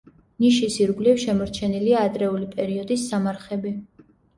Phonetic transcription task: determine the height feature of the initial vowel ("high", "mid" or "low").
high